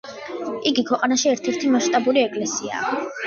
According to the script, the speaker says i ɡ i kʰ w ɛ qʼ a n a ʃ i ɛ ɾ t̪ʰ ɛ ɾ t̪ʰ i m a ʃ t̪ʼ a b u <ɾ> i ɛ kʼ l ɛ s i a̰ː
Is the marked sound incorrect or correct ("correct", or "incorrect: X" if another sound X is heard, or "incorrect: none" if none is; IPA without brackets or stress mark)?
correct